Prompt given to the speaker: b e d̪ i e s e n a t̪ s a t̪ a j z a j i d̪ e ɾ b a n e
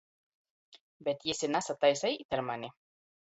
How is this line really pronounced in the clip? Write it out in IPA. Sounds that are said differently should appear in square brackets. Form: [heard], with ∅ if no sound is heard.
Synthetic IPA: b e [t̪] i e s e n a [∅] s a t̪ a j [s] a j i [t̪] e ɾ [m] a n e